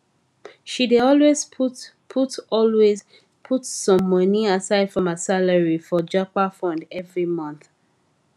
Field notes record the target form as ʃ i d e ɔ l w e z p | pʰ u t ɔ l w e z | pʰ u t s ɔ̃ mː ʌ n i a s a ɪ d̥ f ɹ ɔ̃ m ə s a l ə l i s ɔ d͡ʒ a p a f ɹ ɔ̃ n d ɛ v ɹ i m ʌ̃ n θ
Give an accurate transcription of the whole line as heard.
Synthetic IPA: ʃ i d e ɔ l w e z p | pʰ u t ɔ l w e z | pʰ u t s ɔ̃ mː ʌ n i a s a ɪ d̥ f ɹ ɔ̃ m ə s a l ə ɹ i f ɔ d͡ʒ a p a f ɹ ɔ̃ n d ɛ v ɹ i m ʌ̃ n θ

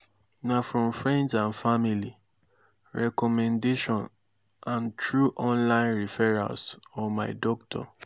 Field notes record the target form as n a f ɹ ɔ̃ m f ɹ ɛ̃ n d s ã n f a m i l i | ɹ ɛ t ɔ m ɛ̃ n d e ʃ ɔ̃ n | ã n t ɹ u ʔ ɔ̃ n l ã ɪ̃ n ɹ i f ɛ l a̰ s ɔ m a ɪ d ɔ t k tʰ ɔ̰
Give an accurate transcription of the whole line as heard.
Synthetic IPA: n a f ɹ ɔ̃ m f ɹ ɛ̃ n d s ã n f a m i l i | ɹ ɛ k ɔ m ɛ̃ n d e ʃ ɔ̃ n | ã n t ɹ u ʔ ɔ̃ n l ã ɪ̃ n ɹ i f ɛ ɹ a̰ s ɔ m a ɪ d ɔ k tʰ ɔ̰

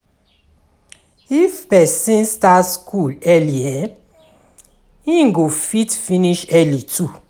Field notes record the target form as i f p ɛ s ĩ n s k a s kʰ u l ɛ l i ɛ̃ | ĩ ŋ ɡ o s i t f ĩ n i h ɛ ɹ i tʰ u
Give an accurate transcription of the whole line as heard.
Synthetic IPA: i f p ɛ s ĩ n s t a s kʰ u l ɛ l i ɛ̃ | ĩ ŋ ɡ o f i t f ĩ n i ʃ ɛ l i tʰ u

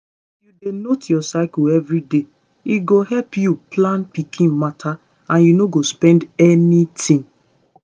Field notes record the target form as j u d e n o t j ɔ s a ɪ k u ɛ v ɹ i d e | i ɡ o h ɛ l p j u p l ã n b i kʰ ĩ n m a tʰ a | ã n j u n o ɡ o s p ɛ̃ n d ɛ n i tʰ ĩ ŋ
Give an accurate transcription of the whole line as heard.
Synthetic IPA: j u d e n o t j ɔ s a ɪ k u ɛ v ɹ i d e | i ɡ o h ɛ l p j u p l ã n p i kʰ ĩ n m a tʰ a | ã n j u n o ɡ o s p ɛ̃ n d ɛ n i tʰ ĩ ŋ

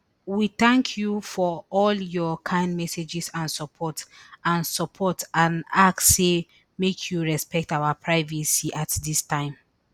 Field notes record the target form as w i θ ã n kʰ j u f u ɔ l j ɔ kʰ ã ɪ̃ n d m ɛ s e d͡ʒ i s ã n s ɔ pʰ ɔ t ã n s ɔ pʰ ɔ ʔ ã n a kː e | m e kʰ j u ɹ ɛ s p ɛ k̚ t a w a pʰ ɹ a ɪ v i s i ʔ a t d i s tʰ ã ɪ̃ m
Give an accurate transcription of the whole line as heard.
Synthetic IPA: w i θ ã ŋ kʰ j u f ɔ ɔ l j ɔ kʰ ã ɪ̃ n d m ɛ s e d͡ʒ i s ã n s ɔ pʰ ɔ t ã n s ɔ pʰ ɔ t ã n a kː e | m e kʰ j u ɹ ɛ s p ɛ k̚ t a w a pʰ ɹ a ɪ v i s i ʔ a t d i s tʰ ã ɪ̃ m

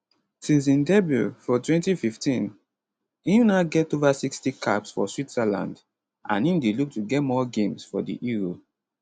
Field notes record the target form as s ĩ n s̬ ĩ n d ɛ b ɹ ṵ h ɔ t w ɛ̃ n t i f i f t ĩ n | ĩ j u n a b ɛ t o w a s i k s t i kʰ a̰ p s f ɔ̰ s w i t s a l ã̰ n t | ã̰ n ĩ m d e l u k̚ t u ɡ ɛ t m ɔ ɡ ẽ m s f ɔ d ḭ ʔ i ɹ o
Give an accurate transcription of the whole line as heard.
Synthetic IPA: s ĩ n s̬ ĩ n d ɛ b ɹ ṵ f ɔ t w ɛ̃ n t i f i f t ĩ n | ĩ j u n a ɡ ɛ t o v a s i k s t i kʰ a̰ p s f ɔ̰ s w i t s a l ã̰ n d | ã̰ n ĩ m d e l u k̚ t u ɡ ɛ t m ɔ ɡ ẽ m s f ɔ d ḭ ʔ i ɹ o

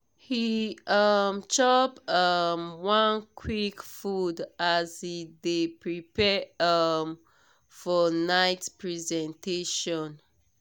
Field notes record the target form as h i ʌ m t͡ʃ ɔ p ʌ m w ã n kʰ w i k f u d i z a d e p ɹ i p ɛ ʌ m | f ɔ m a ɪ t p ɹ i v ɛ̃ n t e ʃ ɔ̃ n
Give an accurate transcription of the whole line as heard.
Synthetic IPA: h i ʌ m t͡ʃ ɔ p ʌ m w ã n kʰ w i k f u d a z i d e p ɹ i p ɛ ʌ m | f ɔ n a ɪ t p ɹ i z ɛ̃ n t e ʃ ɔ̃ n

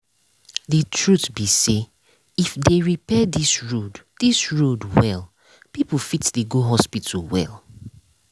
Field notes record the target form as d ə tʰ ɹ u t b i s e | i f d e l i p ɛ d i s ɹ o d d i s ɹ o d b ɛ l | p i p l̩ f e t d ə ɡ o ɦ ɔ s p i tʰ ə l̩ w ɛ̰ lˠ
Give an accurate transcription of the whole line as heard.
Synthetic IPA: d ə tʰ ɹ u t b i s e | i f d e ɹ i p ɛ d i s ɹ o d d i s ɹ o d w ɛ l | p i p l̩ f i t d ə ɡ o ɦ ɔ s p i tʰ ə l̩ w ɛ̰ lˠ

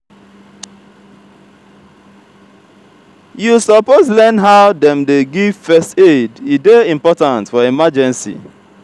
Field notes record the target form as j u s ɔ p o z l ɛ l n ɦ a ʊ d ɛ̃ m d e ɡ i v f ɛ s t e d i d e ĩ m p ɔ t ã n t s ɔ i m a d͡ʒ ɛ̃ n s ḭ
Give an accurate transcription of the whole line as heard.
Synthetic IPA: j u s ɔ p o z l ɛ n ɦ a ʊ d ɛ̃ m d e ɡ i v f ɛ s t e d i d e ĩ m p ɔ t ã n t f ɔ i m a d͡ʒ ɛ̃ n s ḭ

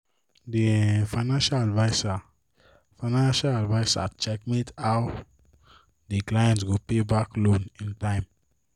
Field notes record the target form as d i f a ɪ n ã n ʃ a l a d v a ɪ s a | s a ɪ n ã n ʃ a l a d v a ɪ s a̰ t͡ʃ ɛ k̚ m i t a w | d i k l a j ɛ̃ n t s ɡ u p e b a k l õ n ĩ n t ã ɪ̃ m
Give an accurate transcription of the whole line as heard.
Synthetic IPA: d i f a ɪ n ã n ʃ a l a d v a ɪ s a | f a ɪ n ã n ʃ a l a d v a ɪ s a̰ t͡ʃ ɛ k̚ m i t a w | d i k l a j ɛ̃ n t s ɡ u p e b a k l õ n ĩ n t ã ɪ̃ m

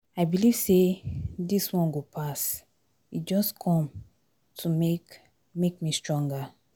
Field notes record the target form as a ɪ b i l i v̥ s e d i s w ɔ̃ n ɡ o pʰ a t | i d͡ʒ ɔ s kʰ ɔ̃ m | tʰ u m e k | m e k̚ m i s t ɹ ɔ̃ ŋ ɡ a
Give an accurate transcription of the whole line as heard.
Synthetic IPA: a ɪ b i l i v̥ s e d i s w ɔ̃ n ɡ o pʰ a s | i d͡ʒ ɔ s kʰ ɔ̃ m | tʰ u m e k | m e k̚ m i s t ɹ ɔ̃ ŋ ɡ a

